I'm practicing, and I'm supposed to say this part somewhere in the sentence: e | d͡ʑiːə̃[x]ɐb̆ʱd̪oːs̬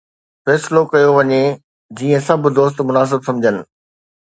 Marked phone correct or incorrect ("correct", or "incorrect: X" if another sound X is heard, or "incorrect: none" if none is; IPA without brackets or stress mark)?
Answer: incorrect: s